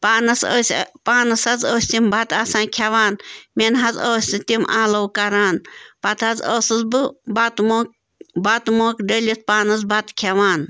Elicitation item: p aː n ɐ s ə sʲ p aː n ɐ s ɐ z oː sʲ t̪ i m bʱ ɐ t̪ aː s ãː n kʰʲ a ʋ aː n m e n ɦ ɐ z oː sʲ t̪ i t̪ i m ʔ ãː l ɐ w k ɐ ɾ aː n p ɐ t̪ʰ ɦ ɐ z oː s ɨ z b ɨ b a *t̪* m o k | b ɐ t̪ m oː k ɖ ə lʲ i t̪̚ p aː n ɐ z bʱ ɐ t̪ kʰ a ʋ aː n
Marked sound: correct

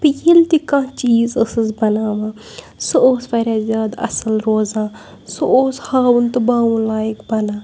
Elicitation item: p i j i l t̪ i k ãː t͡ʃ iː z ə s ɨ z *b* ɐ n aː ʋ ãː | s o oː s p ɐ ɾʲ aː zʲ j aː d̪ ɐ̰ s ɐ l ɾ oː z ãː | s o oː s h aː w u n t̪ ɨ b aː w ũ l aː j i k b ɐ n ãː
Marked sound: correct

